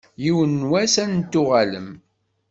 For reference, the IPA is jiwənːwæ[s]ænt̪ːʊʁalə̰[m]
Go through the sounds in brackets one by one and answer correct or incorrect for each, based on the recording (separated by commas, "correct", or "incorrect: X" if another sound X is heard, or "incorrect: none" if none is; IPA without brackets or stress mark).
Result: correct, correct